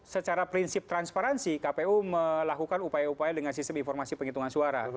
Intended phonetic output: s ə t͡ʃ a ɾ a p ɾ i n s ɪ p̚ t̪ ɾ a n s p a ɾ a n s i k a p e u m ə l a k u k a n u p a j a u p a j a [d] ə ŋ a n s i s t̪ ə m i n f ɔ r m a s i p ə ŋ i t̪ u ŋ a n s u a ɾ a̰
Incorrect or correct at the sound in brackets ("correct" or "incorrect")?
correct